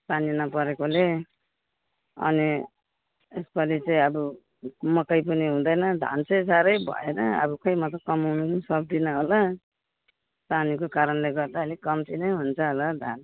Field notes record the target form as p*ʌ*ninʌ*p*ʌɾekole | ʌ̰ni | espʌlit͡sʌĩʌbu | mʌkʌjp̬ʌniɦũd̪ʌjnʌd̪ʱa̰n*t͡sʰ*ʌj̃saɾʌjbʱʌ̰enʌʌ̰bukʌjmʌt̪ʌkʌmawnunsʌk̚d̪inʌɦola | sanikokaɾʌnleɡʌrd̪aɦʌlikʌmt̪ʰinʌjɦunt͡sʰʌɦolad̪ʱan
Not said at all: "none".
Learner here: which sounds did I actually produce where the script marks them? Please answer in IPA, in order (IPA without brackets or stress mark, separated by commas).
a, p, t͡s